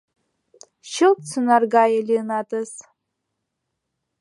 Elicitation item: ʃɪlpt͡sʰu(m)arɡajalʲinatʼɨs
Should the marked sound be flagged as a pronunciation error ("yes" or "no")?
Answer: yes